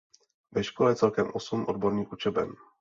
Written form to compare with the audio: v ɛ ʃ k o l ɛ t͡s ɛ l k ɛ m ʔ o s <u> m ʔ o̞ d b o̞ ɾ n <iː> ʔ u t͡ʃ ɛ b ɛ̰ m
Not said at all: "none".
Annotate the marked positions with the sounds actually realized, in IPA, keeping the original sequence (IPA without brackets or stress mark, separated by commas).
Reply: u, iː